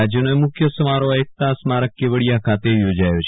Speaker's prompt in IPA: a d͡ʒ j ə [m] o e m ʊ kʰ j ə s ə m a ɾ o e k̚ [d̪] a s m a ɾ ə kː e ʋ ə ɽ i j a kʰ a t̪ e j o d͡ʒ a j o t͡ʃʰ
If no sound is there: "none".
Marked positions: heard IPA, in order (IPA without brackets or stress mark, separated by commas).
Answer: n, t̪